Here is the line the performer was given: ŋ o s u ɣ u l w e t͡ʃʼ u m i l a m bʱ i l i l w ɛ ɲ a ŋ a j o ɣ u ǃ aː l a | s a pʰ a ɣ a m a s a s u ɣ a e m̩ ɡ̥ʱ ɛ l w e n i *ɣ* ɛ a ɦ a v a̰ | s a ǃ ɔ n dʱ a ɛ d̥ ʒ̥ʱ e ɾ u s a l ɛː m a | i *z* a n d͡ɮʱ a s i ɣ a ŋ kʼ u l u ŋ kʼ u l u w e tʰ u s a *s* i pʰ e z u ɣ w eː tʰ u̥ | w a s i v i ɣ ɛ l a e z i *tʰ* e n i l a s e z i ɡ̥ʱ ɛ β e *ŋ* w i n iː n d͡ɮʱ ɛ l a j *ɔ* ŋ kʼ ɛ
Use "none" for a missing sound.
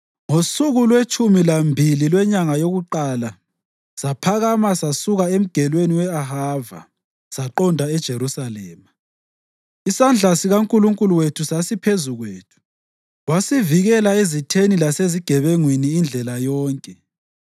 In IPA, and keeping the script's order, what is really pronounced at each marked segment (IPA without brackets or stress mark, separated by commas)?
w, s, s, tʰ, ŋ, ɔː